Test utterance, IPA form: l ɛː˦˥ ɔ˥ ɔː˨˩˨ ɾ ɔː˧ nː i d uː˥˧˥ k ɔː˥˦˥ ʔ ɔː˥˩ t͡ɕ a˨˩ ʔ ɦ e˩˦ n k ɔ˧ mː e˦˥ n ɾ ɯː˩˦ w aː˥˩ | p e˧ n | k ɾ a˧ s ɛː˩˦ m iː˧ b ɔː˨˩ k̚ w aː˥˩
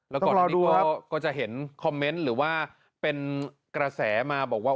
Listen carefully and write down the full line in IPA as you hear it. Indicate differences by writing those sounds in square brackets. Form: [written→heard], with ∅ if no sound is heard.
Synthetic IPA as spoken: l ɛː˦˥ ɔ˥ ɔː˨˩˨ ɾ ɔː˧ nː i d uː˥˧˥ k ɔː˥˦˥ [ʔ→k] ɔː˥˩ t͡ɕ a˨˩ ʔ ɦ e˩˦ n [k→kʰ] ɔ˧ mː e˦˥ n ɾ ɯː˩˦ w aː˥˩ | p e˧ n | k ɾ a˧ s ɛː˩˦ m [iː˧→aː˧] b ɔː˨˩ k̚ w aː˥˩